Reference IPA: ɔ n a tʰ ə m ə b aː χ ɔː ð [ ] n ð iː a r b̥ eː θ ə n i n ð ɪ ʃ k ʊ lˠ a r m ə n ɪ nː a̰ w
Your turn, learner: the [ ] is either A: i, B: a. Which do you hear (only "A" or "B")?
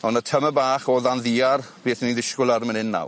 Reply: B